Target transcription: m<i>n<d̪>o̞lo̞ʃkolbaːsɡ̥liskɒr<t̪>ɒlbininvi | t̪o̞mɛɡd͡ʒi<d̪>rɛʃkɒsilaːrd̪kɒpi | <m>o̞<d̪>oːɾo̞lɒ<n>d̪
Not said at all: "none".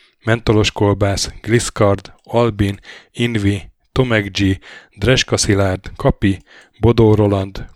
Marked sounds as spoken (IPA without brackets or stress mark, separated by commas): ɛ, t̪, d̪, d̪, b, d̪, n